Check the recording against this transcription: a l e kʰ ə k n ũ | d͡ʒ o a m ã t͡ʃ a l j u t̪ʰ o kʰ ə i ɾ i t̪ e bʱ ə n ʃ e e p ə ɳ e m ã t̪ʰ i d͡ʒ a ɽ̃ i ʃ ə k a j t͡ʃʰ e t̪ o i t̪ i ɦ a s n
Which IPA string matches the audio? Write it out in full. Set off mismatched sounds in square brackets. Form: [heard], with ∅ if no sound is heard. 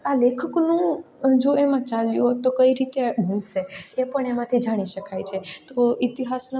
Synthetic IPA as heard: a l e kʰ ə k n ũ | d͡ʒ o [e] m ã t͡ʃ a l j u [t̪] o [k] ə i ɾ i t̪ e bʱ ə n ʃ e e p ə ɳ e m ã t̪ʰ i d͡ʒ a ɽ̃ i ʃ ə k a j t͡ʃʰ e t̪ o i t̪ i ɦ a s n